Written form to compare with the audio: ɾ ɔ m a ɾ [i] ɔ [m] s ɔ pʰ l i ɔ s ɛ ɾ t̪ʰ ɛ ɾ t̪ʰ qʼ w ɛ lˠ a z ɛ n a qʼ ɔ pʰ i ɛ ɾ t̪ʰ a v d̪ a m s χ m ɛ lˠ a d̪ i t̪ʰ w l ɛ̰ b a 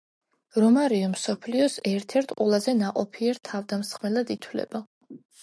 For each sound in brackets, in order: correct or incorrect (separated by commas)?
correct, correct